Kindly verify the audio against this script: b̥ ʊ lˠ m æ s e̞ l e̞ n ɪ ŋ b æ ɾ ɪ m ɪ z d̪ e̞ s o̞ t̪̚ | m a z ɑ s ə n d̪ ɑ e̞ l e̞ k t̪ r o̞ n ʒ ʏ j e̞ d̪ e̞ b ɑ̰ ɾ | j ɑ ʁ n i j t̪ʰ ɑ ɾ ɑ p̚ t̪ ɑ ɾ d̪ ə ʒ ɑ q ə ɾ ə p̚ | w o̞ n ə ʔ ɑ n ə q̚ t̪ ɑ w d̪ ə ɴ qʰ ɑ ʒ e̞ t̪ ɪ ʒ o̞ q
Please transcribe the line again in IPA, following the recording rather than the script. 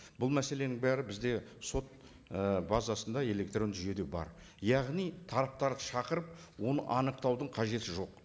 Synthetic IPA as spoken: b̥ ʊ lˠ m æ s e̞ l e̞ n ɪ ŋ b æ ɾ ɪ b ɪ z d̪ e̞ s o̞ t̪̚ | b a z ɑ s ə n d̪ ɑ e̞ l e̞ k t̪ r o̞ n ʒ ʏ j e̞ d̪ e̞ b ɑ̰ ɾ | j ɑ ʁ n i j t̪ʰ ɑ ɾ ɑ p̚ t̪ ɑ ɾ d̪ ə ʃ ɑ q ə ɾ ə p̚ | w o̞ n ə ʔ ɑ n ə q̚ t̪ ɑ w d̪ ə ɴ qʰ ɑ ʒ e̞ t̪ ɪ ʒ o̞ q